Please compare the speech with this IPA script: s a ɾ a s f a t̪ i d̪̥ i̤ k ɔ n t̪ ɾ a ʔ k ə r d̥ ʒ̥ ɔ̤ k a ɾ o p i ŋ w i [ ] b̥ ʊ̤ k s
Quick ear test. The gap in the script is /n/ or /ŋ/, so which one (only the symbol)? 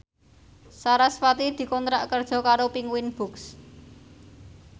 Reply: n